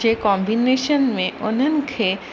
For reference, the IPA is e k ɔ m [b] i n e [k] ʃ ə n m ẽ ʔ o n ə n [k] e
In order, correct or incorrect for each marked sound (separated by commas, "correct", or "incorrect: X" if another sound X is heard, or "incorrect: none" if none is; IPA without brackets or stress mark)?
correct, incorrect: none, incorrect: kʰ